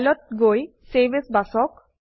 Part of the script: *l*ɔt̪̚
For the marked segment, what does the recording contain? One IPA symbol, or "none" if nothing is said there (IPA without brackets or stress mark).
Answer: l